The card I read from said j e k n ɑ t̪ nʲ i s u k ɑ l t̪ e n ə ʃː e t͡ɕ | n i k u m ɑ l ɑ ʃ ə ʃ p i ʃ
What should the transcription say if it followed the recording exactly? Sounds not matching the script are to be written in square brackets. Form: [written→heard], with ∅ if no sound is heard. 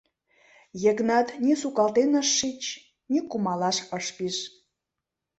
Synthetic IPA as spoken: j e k n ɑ t̪ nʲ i s u k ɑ l t̪ e n ə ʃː [e→i] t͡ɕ | n i k u m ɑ l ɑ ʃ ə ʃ p i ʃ